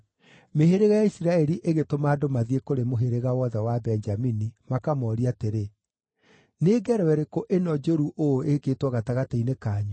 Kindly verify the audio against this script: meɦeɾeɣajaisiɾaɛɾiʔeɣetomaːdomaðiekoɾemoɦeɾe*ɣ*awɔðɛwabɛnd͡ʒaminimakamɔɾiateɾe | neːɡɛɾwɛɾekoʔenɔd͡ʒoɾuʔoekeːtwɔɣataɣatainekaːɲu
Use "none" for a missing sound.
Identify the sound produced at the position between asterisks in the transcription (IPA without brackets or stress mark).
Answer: ɣ